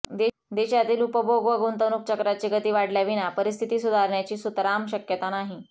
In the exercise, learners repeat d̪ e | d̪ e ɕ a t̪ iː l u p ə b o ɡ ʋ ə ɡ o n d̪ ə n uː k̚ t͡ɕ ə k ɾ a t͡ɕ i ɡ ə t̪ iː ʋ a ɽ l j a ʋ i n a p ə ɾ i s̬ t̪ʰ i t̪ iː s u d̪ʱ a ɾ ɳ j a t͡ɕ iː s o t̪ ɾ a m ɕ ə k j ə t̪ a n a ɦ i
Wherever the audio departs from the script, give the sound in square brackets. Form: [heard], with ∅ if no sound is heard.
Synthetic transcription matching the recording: d̪ e | d̪ e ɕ a t̪ iː l u p ə b o ɡ ʋ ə ɡ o n [t̪] ə n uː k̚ t͡ɕ ə k ɾ a t͡ɕ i ɡ ə t̪ iː ʋ a ɽ l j a ʋ i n a p ə ɾ i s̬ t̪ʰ i t̪ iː s u d̪ʱ a ɾ ɳ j a t͡ɕ iː s [u] t̪ ɾ a m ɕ ə k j ə t̪ a n a ɦ i